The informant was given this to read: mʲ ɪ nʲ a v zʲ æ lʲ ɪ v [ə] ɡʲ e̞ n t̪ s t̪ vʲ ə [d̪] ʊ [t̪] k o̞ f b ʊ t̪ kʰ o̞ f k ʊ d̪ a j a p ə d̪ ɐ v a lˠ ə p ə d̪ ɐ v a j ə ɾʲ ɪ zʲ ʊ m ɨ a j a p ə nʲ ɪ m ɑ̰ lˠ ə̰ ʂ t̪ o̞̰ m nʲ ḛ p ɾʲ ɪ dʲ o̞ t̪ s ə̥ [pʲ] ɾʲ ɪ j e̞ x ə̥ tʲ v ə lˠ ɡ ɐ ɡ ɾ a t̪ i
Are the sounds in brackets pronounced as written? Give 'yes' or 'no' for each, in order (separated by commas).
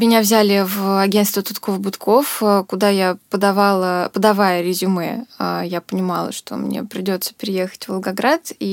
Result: no, no, yes, yes